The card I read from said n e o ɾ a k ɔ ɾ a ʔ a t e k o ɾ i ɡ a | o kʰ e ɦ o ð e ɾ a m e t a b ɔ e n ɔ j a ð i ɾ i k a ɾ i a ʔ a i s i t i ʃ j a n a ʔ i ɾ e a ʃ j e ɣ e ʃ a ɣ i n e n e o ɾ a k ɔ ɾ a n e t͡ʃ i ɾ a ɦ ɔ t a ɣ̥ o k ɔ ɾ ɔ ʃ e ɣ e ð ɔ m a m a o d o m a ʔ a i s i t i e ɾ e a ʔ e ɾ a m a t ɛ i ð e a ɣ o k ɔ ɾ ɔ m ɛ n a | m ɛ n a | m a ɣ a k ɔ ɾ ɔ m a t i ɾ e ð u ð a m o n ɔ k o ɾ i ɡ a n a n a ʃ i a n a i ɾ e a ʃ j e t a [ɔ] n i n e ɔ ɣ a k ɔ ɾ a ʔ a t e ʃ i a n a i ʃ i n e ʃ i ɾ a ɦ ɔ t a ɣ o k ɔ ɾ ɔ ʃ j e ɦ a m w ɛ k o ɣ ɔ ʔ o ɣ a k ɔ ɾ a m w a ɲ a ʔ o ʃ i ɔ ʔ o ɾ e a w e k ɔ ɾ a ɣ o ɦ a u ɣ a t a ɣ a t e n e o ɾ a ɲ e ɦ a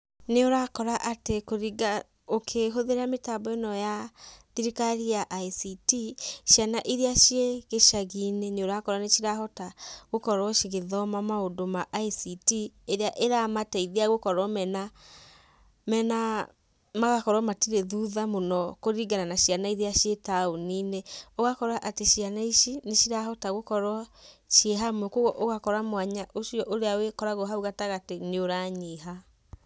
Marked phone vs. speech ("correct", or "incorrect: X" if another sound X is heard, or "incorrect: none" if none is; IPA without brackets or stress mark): incorrect: o